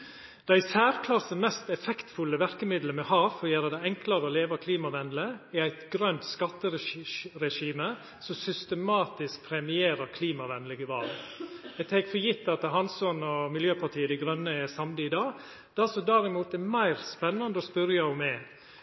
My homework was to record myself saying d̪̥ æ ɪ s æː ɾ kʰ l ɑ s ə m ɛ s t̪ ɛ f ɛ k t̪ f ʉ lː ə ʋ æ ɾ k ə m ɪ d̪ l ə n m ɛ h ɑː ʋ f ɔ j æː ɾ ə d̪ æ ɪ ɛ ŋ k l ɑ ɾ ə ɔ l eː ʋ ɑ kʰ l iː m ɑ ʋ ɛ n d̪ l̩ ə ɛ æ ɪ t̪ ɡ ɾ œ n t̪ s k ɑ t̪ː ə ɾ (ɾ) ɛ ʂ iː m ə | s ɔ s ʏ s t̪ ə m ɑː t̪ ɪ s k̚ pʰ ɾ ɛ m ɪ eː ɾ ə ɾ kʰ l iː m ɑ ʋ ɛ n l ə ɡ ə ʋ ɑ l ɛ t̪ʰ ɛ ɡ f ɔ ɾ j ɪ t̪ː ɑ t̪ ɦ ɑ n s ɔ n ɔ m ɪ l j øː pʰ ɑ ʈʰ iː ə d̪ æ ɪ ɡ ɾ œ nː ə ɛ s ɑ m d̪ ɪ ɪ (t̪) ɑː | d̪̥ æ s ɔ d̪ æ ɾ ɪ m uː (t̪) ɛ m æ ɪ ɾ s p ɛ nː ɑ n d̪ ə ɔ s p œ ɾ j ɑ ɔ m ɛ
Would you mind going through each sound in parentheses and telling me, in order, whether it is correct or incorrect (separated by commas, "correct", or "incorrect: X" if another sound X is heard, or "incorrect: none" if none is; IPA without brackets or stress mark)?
correct, incorrect: d̪, correct